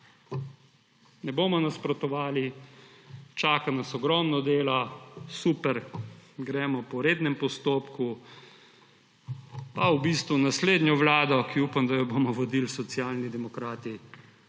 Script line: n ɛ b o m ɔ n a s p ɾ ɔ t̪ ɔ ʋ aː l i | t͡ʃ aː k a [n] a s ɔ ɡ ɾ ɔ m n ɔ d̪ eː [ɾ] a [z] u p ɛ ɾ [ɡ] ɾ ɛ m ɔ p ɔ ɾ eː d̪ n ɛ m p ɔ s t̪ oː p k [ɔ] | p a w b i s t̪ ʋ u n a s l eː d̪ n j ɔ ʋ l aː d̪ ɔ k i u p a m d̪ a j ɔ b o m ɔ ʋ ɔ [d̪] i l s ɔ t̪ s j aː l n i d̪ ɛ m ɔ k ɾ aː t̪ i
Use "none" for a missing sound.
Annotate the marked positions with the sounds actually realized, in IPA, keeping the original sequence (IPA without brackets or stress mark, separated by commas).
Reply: n, l, s, ɡ, u, d̪